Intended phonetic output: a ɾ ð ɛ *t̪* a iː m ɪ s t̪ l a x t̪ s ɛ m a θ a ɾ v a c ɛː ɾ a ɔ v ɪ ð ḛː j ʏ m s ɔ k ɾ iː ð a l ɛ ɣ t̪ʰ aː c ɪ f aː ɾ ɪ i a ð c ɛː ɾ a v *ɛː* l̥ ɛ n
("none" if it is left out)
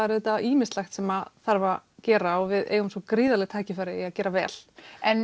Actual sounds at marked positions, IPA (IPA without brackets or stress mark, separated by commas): t̪, ɛː